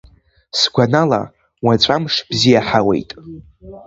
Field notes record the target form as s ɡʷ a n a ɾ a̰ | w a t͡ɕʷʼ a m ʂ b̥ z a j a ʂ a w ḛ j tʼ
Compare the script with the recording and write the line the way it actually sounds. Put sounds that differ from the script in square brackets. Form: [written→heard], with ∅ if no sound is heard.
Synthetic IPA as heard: s ɡʷ a n a [ɾ→l] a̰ | w a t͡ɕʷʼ a m ʂ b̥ z [a→i] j a [ʂ→ħ] a w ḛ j tʼ